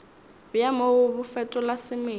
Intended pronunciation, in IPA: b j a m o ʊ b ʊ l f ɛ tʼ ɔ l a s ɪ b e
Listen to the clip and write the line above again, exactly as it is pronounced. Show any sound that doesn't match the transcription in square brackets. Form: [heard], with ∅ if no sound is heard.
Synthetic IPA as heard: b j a m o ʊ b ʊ [∅] f ɛ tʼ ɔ l a s ɪ [m] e